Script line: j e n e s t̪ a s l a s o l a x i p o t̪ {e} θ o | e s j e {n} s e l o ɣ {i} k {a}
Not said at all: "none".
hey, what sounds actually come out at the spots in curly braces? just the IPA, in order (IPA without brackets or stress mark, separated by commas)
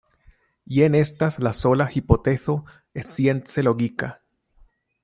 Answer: e, n, i, a